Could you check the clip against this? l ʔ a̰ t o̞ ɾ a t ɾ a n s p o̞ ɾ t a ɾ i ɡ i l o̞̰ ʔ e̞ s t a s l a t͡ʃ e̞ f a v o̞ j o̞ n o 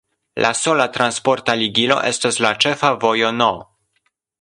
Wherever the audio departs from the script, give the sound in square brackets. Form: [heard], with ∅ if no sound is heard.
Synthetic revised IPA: l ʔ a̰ [s] o̞ [l] a t ɾ a n s p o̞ ɾ t a [l] i ɡ i l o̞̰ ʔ e̞ s t a s l a t͡ʃ e̞ f a v o̞ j o̞ n o